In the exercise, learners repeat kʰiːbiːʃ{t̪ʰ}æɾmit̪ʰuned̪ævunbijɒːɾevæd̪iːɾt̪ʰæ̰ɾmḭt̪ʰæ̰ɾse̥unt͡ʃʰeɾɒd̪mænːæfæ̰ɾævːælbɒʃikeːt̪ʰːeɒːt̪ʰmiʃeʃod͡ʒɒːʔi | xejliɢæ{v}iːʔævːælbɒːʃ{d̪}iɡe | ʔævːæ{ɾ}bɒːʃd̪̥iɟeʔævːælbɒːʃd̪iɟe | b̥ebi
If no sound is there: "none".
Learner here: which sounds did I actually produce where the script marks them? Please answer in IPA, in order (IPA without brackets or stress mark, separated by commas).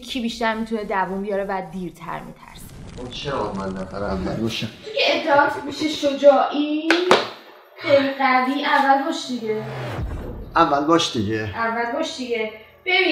t̪, v, d̪, l